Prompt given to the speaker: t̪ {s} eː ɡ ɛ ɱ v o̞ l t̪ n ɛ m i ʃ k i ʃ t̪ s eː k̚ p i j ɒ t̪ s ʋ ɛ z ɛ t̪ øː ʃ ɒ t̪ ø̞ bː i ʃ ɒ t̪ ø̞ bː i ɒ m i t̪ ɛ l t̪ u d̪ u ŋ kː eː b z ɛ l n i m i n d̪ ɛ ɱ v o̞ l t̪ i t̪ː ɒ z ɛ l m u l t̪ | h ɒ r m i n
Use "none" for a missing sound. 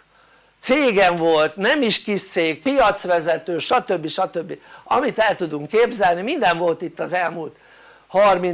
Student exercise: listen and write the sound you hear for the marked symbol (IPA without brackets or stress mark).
s